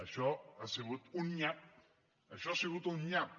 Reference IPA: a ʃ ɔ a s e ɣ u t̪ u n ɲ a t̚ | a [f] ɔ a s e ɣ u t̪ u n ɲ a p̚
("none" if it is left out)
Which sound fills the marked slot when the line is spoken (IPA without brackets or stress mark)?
ʃ